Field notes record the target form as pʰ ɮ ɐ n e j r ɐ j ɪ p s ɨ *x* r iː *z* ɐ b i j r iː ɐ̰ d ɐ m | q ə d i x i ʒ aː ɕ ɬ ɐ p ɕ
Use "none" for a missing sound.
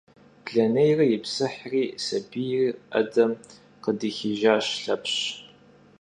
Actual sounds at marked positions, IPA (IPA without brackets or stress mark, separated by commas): ħ, s